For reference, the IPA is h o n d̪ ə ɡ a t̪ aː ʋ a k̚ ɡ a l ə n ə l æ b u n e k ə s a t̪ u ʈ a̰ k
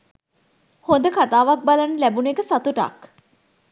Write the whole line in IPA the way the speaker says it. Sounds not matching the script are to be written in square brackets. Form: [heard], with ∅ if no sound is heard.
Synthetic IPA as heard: h o n d̪ ə [k] a t̪ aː ʋ a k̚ [b] a l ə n ə l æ b u n e k ə s a t̪ u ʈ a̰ k